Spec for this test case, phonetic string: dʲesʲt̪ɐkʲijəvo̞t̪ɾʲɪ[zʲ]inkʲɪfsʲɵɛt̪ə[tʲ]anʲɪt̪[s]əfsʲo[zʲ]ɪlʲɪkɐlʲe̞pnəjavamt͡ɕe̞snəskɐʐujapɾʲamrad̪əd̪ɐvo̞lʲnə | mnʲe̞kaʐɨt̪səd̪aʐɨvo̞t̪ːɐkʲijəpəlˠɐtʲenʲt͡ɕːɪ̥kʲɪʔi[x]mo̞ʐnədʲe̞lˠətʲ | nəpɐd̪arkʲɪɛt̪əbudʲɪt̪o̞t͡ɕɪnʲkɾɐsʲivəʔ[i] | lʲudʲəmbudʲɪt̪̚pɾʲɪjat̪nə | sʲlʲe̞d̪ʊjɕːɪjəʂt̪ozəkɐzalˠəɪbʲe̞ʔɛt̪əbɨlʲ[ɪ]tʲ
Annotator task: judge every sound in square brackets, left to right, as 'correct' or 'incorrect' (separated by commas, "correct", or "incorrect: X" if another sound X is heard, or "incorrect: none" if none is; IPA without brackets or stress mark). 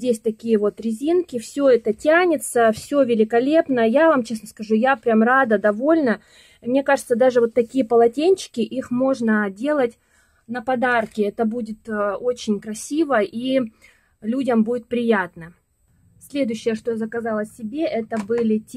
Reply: correct, correct, correct, incorrect: vʲ, correct, correct, correct